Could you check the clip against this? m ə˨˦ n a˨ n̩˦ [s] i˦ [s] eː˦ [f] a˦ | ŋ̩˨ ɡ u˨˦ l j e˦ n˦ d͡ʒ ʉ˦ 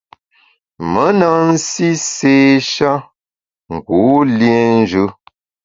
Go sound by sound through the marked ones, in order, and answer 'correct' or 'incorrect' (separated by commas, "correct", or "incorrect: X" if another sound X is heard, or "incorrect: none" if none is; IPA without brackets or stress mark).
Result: correct, correct, incorrect: ʃ